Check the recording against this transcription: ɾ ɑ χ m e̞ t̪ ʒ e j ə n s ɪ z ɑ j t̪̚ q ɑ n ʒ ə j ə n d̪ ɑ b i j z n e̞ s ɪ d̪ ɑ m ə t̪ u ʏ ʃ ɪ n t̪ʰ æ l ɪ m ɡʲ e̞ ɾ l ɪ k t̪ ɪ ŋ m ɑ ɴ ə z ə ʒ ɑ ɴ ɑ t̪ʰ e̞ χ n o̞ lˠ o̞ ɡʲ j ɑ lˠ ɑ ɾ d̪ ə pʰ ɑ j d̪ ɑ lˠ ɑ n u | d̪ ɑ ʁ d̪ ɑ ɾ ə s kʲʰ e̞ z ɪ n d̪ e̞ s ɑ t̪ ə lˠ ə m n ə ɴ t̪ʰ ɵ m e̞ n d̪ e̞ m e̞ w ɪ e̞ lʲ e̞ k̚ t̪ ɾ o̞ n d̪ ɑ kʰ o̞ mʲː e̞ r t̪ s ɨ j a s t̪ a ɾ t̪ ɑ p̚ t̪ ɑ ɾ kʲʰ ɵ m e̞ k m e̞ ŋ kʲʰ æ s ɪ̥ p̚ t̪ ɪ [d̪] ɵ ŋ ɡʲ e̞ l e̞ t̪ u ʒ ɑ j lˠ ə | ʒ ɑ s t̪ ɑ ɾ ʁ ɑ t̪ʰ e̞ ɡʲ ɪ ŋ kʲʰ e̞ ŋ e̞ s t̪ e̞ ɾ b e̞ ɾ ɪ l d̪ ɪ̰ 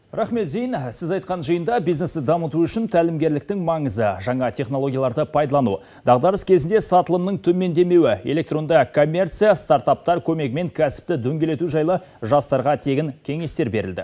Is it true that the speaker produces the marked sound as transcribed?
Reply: yes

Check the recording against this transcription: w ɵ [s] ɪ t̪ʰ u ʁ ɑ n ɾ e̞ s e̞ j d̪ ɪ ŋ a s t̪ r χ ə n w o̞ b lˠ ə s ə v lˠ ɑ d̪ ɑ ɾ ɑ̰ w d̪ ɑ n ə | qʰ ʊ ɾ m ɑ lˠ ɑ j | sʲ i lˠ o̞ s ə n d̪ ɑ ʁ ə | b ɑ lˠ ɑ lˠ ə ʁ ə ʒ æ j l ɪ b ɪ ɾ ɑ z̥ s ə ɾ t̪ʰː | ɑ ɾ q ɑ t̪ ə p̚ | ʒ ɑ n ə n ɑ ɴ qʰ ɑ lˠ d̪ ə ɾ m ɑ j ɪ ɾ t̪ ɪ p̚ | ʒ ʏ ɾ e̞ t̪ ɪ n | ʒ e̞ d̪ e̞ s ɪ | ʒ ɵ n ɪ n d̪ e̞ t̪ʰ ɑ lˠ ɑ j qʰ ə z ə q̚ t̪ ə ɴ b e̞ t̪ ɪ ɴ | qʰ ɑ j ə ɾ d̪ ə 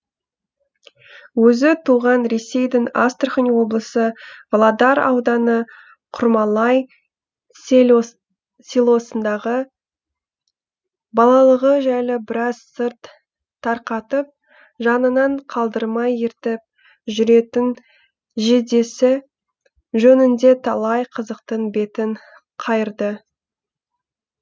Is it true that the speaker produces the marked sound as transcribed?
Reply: no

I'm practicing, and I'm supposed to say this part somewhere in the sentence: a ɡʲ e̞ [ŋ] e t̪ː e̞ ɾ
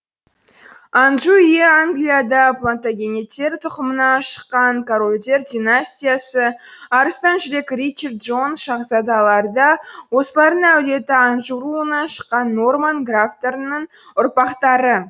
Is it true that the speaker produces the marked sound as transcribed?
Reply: no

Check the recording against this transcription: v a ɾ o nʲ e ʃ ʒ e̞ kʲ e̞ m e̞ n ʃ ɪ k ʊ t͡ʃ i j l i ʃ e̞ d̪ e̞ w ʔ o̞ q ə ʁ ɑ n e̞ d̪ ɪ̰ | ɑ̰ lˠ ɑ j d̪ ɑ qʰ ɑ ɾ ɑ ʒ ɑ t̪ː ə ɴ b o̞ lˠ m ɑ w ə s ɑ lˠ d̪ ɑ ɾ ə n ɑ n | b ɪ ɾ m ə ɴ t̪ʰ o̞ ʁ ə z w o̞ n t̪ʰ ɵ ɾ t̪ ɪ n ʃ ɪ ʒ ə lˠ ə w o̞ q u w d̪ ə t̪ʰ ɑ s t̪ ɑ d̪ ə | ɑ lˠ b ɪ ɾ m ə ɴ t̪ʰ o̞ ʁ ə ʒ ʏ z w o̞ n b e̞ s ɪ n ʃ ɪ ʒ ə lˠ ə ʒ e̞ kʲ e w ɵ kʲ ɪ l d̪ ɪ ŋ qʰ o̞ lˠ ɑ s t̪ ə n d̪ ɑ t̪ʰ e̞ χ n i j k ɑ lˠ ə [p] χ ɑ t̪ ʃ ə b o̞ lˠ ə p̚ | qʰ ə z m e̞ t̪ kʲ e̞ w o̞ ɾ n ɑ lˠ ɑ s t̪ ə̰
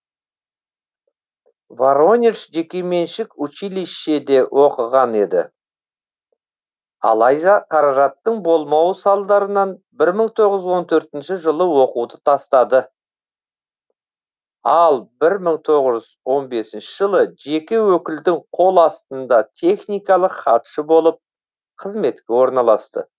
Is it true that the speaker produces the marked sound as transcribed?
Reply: no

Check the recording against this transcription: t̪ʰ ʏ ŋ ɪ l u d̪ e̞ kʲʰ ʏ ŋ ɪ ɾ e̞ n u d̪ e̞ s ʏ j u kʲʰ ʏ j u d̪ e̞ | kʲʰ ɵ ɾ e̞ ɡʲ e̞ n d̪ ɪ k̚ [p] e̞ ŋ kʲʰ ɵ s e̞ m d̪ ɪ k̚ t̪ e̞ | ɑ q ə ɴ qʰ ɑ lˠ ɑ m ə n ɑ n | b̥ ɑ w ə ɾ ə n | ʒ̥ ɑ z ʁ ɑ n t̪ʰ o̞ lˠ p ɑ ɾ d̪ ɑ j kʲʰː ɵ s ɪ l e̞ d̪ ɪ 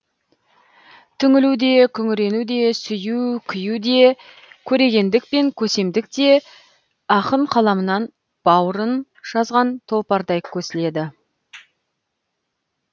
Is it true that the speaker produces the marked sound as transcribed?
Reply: yes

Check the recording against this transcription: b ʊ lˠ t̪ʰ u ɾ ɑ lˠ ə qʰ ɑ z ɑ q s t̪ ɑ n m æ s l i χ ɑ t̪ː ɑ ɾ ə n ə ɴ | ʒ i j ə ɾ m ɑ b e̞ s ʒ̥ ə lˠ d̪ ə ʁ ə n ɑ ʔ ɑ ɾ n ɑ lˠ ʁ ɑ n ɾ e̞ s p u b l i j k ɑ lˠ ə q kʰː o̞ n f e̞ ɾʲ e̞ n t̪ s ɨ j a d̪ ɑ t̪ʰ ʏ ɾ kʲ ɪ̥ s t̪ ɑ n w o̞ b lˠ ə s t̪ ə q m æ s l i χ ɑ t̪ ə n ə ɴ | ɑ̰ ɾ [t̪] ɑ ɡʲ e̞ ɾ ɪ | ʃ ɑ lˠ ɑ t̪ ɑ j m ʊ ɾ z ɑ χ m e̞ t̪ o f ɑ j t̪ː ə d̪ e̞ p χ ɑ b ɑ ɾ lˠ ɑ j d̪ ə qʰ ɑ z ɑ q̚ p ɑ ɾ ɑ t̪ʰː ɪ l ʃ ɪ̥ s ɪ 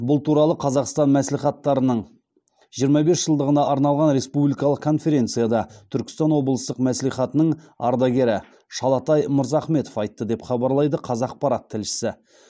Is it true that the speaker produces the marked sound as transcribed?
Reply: no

